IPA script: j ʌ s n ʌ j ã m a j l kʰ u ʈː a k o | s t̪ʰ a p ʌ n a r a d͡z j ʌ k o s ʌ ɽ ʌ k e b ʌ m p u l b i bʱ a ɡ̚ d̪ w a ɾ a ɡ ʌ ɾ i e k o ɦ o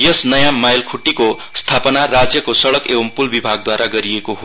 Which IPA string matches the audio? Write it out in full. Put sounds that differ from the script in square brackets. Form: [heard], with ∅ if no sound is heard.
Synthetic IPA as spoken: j ʌ s n ʌ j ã m a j l kʰ u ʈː [i] k o | s t̪ʰ a p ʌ n a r a d͡z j ʌ k o s ʌ ɽ ʌ k e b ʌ m p u l b i bʱ a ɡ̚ d̪ w a ɾ a ɡ ʌ ɾ i e k o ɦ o